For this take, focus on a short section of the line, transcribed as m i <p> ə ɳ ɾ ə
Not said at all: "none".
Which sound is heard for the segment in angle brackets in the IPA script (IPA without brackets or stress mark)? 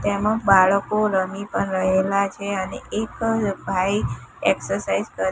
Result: p